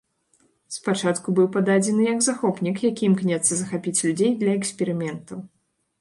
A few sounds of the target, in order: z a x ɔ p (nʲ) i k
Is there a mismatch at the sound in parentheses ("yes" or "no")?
no